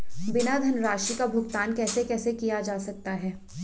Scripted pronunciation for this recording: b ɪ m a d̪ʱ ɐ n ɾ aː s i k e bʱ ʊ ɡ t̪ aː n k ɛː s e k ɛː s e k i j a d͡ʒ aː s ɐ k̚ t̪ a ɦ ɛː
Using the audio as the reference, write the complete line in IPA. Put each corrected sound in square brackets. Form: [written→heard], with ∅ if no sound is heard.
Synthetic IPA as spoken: b ɪ [m→n] a d̪ʱ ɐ n ɾ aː [s→ʃ] i k [e→a] bʱ ʊ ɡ t̪ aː n k ɛː s e k ɛː s e k i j a d͡ʒ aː s ɐ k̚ t̪ a ɦ ɛː

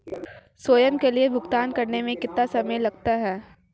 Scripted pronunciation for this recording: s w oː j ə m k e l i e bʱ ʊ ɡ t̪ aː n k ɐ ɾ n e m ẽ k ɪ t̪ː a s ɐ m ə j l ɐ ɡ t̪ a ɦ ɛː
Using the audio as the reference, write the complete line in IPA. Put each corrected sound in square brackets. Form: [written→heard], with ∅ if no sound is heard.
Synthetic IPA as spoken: s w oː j ə m k e l i e bʱ ʊ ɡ t̪ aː n k ɐ ɾ n e m ẽ k ɪ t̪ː a s ɐ m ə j l ɐ ɡ t̪ a ɦ ɛː

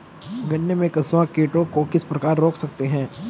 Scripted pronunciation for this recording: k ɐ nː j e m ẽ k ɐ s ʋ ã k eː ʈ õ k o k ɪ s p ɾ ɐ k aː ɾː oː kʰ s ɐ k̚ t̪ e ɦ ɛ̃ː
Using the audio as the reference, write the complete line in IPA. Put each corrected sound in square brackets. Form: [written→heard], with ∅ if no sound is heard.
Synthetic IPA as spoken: [k→ɡ] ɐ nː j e m ẽ k ɐ s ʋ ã k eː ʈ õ k o k ɪ s p ɾ ɐ k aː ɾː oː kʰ s ɐ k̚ t̪ e ɦ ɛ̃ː

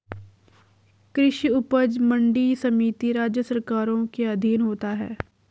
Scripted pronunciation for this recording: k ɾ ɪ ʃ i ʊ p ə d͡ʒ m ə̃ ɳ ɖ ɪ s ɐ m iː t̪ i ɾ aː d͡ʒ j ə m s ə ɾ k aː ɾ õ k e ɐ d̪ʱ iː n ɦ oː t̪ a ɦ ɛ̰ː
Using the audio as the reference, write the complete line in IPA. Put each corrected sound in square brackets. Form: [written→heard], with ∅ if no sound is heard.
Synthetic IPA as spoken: k ɾ ɪ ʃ i ʊ p ə d͡ʒ m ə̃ ɳ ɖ [ɪ→i] s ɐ m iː t̪ i ɾ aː d͡ʒ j ə [m→∅] s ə ɾ k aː ɾ õ k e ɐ d̪ʱ iː n ɦ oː t̪ a ɦ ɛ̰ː

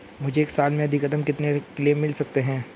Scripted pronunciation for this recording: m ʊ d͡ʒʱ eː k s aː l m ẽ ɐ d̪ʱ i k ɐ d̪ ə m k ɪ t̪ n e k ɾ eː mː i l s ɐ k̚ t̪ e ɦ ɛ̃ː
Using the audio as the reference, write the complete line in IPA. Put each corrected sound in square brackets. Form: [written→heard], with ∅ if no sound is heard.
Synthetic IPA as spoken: m ʊ d͡ʒʱ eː k s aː l m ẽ ɐ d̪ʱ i k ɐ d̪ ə m k ɪ t̪ n e k [ɾ→l] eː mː [i→ɪ] l s ɐ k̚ t̪ e ɦ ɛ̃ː

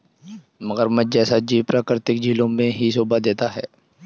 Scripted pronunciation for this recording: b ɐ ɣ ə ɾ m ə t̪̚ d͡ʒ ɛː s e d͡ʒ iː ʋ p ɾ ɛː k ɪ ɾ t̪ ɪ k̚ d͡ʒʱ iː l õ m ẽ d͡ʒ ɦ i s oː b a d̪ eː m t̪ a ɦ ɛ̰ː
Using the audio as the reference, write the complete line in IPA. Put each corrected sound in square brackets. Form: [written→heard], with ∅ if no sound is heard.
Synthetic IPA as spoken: [b→m] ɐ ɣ ə ɾ m ə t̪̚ d͡ʒ ɛː s [e→a] d͡ʒ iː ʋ p ɾ [ɛː→aː] k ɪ ɾ t̪ ɪ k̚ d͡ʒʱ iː l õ m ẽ [d͡ʒ→∅] ɦ i s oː b a d̪ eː [m→∅] t̪ a ɦ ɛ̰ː

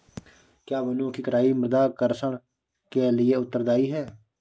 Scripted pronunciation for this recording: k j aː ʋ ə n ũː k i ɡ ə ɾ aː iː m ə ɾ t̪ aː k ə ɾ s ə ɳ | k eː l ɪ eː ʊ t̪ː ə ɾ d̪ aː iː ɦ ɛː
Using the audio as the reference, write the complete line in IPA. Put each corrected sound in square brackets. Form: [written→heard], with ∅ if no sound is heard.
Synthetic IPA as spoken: k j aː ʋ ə n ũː k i [ɡ→k] ə ɾ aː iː m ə ɾ [t̪→d̪] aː k ə ɾ s ə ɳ | k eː l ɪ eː ʊ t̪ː ə ɾ d̪ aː iː ɦ ɛː

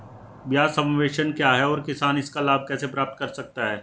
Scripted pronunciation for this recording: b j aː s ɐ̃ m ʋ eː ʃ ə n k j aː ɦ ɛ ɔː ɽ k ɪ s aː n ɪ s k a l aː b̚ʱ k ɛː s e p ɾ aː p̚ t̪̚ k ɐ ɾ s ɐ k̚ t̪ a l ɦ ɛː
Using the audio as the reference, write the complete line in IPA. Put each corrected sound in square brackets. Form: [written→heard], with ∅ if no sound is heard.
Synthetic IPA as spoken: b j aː s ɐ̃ m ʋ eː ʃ ə n k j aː ɦ ɛ ɔː [ɽ→ɾ] k ɪ s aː n ɪ s k a l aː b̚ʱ k ɛː s e p ɾ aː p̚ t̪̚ k ɐ ɾ s ɐ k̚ t̪ a [l→∅] ɦ ɛː

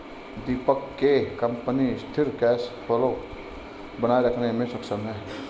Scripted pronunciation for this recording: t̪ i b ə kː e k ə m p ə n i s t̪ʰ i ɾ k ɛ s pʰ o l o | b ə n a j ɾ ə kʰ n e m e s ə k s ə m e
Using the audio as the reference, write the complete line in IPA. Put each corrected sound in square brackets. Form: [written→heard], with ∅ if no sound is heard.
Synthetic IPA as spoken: [t̪→d̪] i [b→p] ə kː e k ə m p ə n i s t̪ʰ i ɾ k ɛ s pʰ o l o | b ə n a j ɾ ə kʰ n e m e s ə k s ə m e

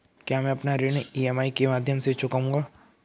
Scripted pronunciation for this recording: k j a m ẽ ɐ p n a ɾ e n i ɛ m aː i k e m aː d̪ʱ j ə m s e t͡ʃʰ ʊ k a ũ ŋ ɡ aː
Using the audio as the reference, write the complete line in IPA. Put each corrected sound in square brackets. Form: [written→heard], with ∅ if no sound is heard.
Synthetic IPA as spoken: k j a m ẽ ɐ p n a ɾ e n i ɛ m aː i k e m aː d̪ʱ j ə m s e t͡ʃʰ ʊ k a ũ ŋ ɡ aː

